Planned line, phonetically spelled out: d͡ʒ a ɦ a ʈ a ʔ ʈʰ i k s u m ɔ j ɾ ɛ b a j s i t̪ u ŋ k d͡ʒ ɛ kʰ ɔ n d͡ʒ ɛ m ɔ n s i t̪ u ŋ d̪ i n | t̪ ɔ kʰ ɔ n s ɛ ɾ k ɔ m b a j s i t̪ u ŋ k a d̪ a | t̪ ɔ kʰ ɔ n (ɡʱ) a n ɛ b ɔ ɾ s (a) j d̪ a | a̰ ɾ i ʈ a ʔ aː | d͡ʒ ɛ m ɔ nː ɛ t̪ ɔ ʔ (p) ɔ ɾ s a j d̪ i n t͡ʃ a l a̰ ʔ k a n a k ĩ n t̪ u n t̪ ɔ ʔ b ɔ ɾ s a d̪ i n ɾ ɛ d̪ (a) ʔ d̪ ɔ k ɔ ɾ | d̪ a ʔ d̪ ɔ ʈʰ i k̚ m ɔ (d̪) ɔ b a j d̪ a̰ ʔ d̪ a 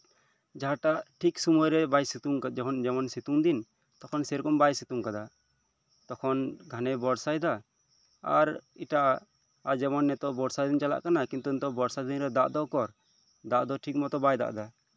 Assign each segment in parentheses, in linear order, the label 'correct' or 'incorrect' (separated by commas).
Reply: correct, correct, incorrect, correct, incorrect